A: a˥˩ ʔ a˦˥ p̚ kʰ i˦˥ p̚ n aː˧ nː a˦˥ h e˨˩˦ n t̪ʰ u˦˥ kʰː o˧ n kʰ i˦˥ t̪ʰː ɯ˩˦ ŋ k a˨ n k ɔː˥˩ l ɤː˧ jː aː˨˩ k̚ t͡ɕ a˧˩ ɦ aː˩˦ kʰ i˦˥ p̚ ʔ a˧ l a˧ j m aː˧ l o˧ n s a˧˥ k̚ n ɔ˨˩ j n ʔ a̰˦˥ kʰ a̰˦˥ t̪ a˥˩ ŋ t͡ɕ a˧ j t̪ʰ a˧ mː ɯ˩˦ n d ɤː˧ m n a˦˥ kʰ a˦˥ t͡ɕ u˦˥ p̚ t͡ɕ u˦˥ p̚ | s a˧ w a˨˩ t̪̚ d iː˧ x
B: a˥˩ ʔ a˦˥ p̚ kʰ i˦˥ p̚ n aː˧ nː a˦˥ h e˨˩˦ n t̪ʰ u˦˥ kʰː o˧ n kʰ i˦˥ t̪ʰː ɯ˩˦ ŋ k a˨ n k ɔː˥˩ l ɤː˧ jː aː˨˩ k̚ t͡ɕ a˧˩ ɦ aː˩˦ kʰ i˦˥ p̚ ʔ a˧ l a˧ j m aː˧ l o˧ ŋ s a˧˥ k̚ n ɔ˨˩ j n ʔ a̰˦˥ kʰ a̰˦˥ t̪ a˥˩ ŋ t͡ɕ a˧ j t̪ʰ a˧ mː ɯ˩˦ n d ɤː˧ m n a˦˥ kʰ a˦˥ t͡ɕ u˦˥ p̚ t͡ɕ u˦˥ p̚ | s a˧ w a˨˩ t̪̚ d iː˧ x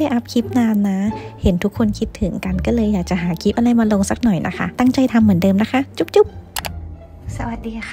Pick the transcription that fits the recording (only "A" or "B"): B